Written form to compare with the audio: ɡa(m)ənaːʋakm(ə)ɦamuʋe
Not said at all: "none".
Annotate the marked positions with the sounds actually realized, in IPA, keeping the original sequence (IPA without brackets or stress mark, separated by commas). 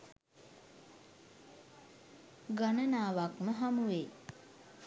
n, ə